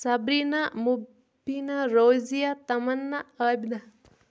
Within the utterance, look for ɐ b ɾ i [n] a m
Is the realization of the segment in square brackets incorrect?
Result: no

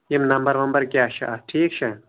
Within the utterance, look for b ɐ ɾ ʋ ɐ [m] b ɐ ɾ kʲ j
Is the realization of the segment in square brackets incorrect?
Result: no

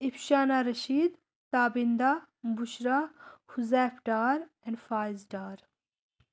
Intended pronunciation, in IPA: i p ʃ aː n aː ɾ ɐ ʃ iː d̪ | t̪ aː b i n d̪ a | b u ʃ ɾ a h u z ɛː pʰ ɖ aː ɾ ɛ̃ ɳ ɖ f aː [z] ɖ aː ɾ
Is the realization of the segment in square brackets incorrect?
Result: no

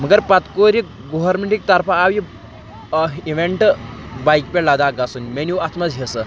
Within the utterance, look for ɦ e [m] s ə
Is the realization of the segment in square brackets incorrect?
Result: yes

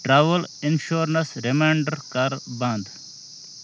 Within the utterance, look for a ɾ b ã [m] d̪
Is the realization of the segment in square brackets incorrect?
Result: yes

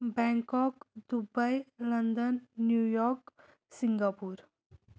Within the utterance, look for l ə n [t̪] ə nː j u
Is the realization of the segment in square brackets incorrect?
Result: yes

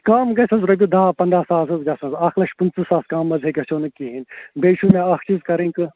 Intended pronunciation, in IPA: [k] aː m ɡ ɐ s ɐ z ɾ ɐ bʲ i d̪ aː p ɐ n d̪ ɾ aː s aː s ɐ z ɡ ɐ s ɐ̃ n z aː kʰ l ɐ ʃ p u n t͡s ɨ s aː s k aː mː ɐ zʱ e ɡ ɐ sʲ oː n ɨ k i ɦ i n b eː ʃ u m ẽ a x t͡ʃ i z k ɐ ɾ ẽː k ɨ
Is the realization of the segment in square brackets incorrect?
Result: no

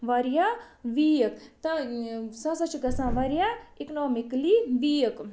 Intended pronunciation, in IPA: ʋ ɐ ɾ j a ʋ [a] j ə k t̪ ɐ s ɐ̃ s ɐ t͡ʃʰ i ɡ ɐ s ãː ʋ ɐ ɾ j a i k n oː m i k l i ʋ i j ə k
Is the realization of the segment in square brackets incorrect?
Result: yes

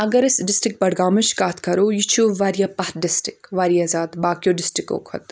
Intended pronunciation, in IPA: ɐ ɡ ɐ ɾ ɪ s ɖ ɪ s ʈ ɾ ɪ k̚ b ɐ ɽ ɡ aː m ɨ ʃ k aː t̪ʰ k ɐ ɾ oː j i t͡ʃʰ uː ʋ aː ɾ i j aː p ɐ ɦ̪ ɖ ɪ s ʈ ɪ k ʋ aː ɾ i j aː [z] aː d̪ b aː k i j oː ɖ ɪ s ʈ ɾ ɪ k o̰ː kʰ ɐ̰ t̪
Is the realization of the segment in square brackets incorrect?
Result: no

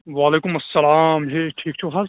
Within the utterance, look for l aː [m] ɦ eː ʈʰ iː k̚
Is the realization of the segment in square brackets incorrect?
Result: no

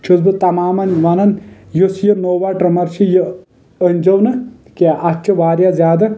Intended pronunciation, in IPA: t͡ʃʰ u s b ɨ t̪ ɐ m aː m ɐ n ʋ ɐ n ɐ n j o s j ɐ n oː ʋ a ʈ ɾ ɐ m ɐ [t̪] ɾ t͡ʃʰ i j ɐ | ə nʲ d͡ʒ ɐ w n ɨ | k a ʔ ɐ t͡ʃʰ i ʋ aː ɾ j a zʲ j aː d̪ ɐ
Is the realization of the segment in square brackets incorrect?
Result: yes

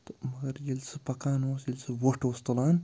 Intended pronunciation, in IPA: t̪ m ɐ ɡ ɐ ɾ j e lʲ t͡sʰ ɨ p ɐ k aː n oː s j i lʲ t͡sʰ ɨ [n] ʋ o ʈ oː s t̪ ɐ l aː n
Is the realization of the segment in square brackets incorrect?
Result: yes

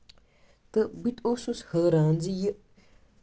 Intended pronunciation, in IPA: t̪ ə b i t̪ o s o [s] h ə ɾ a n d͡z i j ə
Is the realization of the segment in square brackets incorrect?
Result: no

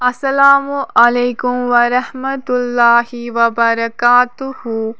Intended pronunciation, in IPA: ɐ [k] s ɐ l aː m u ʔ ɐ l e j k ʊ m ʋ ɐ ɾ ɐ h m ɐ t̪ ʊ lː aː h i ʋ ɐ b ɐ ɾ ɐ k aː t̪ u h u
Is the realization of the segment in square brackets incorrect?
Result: yes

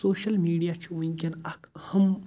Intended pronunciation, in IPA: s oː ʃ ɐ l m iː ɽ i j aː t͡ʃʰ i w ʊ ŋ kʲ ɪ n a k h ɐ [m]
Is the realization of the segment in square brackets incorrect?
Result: no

